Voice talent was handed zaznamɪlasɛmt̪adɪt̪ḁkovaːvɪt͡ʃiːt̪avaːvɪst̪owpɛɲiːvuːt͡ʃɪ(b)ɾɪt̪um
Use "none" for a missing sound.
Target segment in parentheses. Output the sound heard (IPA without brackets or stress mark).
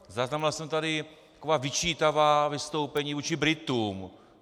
b